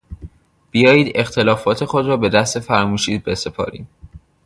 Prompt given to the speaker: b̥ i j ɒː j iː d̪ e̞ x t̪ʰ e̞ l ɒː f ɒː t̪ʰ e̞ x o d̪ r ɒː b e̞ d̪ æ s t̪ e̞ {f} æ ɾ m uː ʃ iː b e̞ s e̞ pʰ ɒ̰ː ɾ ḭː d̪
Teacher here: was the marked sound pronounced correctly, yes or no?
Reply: yes